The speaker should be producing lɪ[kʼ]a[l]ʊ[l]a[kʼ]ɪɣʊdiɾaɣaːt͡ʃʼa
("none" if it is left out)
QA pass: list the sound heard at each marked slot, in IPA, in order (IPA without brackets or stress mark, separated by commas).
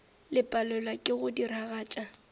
pʼ, l, l, kʼ